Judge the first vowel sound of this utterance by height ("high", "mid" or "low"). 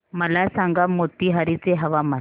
mid